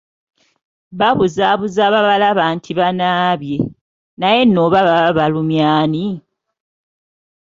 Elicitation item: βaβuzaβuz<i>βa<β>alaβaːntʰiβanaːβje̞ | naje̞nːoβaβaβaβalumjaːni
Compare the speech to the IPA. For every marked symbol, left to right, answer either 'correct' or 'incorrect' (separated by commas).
incorrect, correct